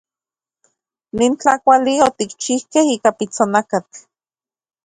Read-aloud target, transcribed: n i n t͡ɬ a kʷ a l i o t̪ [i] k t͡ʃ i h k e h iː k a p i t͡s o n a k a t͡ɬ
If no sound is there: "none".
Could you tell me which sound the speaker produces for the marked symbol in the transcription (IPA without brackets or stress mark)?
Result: i